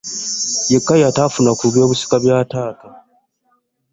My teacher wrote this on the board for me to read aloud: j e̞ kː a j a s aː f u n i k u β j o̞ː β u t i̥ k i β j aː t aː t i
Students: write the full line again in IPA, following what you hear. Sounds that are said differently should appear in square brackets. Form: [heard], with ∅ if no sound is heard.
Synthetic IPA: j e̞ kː a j a [t] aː f u n [a] k u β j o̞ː β u [s] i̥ k [a] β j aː t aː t [a]